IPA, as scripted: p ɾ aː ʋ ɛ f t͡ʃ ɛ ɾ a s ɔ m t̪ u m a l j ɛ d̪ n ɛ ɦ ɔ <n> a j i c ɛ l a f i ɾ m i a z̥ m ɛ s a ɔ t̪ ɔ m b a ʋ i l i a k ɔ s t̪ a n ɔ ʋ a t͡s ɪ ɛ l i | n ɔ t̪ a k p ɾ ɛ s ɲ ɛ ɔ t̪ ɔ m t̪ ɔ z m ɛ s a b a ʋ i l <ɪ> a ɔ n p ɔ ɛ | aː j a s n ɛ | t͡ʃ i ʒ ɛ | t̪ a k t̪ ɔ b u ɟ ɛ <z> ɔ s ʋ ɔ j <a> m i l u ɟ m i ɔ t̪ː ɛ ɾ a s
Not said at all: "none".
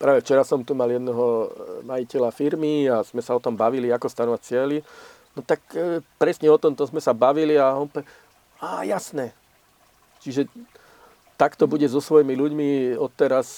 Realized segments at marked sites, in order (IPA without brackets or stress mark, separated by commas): m, i, z, i